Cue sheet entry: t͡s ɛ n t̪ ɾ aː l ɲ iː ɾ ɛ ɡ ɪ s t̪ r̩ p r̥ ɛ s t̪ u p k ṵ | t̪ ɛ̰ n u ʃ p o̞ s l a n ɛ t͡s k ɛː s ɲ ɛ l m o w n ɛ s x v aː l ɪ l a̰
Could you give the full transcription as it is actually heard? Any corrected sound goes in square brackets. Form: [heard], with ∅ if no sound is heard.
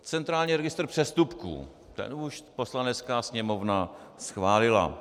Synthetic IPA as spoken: t͡s ɛ n t̪ ɾ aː l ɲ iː ɾ ɛ ɡ ɪ s t̪ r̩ p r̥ ɛ s t̪ u p k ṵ | t̪ ɛ̰ n u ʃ p o̞ s l a n ɛ t͡s k [aː] s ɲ ɛ [∅] m o [v] n [a] s x v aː l ɪ l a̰